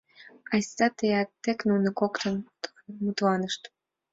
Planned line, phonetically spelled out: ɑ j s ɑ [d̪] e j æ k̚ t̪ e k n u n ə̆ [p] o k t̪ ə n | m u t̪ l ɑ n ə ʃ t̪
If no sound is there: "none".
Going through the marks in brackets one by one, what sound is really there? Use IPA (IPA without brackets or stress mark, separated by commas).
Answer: t̪, k